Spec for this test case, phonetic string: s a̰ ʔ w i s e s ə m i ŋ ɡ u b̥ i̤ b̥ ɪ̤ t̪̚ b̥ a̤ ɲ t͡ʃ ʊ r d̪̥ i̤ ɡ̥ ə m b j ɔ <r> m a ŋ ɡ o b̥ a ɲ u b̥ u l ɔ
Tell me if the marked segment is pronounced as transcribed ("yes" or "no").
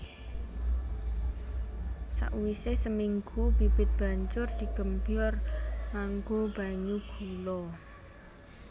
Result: yes